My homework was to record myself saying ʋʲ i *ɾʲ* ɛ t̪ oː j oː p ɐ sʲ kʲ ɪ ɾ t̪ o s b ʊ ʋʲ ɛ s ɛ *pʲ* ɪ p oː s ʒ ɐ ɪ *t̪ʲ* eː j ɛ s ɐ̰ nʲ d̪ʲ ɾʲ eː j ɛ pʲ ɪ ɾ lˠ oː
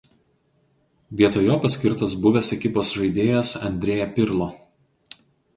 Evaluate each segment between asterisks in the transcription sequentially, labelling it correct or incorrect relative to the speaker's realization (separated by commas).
incorrect, incorrect, incorrect